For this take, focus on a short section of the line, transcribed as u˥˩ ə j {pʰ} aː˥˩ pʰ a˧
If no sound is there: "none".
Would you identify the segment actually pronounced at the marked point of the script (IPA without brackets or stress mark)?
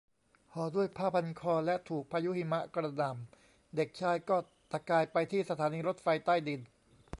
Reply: pʰ